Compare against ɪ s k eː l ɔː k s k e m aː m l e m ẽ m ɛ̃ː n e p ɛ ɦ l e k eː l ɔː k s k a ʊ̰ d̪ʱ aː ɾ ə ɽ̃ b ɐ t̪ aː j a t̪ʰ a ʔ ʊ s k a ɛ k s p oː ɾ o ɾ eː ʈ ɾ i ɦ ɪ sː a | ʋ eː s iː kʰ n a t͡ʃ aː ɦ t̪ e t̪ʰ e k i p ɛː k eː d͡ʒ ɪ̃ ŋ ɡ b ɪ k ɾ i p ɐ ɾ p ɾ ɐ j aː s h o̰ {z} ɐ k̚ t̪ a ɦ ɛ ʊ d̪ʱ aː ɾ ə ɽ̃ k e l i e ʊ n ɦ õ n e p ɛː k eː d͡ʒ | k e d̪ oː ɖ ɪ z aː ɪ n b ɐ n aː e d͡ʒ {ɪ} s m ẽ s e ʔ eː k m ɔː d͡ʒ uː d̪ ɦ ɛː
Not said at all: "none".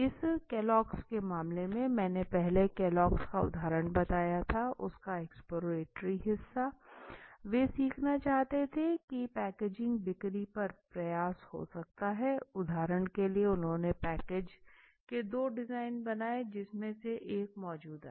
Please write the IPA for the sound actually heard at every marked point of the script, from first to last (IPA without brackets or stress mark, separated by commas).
s, ɪ